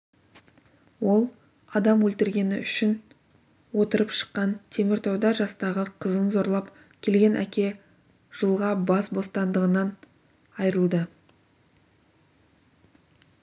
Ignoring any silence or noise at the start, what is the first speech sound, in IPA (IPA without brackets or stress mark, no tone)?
w